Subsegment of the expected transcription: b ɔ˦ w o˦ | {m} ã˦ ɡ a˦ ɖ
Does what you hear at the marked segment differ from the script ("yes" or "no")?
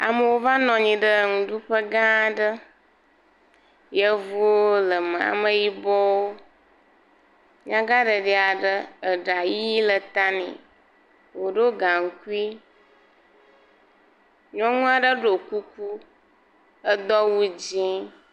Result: yes